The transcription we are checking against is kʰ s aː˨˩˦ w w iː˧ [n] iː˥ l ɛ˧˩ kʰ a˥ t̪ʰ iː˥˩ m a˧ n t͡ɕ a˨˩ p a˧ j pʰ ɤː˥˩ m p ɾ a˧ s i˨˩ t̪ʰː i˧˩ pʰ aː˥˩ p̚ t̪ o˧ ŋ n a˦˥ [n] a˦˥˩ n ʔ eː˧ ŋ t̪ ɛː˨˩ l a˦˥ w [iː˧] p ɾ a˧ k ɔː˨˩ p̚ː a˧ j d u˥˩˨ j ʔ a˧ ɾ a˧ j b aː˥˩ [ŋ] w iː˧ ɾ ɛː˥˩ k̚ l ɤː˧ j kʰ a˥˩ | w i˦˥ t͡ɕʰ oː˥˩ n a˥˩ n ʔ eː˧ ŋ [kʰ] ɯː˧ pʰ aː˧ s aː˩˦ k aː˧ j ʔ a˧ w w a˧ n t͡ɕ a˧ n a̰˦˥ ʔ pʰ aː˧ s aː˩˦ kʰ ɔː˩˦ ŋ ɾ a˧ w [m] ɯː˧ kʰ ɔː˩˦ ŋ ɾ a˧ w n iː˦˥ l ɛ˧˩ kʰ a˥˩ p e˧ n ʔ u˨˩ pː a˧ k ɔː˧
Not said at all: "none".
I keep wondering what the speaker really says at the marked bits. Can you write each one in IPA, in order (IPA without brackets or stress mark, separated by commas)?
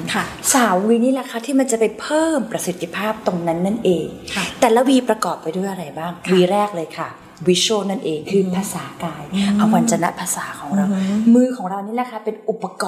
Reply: n, nː, iː˧, ŋ, kʰ, m